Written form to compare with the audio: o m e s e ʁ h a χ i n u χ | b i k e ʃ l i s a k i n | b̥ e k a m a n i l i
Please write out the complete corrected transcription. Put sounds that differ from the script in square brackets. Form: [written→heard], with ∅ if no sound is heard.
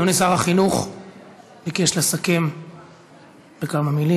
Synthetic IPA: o [m→n] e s [e→a] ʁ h a χ i n u χ | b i k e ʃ l [i→a] s a k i [n→m] | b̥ e k a m a [n→m] i l i